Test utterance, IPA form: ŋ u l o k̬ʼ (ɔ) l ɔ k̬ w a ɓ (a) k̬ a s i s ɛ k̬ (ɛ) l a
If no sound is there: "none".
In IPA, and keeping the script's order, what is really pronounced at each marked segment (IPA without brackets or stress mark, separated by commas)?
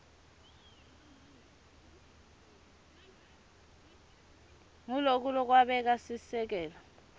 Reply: u, ɛ, ɛː